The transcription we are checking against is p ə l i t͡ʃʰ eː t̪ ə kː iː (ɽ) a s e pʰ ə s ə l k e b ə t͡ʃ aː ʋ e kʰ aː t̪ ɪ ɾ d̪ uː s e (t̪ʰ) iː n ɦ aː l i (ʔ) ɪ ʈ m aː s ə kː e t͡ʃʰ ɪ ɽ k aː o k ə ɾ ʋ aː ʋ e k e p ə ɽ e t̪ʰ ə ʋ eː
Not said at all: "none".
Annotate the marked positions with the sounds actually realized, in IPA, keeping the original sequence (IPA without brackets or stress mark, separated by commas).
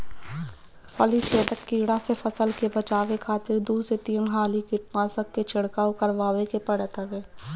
ɽ, t̪, k